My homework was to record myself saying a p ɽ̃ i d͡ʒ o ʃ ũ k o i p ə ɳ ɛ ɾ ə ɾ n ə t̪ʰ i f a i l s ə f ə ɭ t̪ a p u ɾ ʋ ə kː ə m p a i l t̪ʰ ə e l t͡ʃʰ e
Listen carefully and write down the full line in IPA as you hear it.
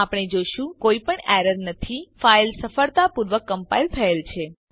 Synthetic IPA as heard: a p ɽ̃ e d͡ʒ o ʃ ũ k o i p ə ɳ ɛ ɾ ə ɾ n ə t̪ʰ i f a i l s ə f ə ɭ t̪ a p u ɾ ʋ ə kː ə m p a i l t̪ʰ ə e l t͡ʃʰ e

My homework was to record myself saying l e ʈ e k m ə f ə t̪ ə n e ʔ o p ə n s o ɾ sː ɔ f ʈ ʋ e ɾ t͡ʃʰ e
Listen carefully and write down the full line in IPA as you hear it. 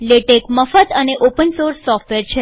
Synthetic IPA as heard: l e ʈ e k m ə f ə t̪ ə n e ʔ o p ə n s o ɾ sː ɔ f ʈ ʋ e ɾ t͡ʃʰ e

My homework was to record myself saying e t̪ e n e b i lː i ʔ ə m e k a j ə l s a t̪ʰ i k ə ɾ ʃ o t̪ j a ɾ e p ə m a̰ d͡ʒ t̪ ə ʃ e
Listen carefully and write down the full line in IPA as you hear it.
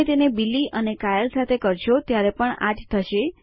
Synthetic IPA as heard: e t̪ e n e b i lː i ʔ ə n e k a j ə l s a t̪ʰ e k ə ɾ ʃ o t̪ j a ɾ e p ə ɳ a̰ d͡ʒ t̪ʰ ə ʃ e

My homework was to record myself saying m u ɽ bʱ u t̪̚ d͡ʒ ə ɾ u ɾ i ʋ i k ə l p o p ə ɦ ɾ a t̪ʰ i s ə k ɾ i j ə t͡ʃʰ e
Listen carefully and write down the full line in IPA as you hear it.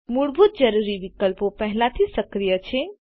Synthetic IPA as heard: m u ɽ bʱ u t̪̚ d͡ʒ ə ɾ u ɾ i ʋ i k ə l p o p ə ɦ l a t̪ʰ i s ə k ɾ i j ə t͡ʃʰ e

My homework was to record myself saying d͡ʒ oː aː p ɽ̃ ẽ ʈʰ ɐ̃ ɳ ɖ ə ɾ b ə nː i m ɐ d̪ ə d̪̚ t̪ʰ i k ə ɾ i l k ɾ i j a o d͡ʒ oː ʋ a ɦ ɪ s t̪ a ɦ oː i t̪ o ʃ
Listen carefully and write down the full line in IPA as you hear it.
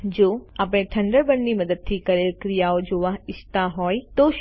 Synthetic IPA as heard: d͡ʒ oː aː p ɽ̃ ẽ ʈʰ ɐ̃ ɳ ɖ ə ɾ b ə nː i m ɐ d̪ ə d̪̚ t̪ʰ i k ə ɾ e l k ɾ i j a o d͡ʒ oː ʋ a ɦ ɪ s t̪ a ɦ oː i t̪ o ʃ

